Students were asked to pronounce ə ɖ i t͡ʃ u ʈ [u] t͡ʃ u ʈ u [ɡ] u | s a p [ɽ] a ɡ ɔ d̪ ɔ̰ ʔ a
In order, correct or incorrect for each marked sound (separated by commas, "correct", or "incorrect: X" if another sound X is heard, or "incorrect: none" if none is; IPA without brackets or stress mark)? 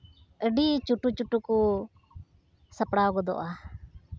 correct, incorrect: k, correct